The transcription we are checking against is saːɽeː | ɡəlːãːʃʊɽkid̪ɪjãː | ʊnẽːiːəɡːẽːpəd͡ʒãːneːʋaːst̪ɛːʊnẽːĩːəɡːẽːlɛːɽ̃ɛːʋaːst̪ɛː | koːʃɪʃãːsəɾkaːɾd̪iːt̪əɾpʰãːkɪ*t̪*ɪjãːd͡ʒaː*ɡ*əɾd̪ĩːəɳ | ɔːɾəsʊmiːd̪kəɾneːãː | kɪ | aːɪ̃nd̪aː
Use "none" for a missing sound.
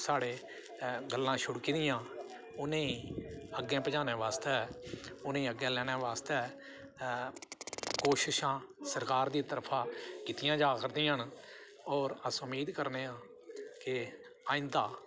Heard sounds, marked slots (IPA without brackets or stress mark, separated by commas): t̪, k